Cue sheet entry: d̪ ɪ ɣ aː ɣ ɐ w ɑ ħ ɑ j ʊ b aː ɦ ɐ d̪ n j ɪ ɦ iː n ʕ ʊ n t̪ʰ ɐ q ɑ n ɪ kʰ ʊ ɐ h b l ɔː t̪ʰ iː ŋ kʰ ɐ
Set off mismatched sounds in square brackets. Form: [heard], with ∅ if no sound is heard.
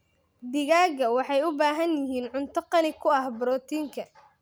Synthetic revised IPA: d̪ ɪ ɣ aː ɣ ɐ w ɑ ħ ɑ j ʊ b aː ɦ ɐ [∅] n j ɪ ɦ iː n ʕ ʊ n t̪ʰ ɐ q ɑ n ɪ kʰ ʊ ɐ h b [ɾ] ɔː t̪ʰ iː ŋ kʰ ɐ